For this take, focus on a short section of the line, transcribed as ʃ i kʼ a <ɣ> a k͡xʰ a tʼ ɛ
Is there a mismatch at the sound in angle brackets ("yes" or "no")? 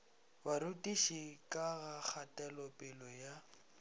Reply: no